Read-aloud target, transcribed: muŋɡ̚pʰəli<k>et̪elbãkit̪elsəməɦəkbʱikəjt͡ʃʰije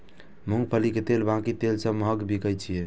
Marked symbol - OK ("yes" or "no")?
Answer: yes